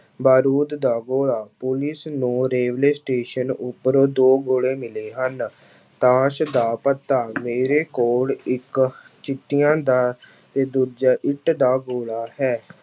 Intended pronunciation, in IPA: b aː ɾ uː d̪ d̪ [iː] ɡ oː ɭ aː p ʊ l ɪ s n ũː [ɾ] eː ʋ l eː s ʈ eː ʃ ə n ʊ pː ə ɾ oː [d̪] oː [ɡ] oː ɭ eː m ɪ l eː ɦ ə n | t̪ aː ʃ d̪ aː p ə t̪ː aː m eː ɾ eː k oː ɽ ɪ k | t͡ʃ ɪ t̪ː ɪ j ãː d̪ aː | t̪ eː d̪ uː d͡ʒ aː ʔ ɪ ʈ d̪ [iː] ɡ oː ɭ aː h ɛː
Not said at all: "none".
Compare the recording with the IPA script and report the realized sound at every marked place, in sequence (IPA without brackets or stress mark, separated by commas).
aː, ɾ, d̪, ɡ, aː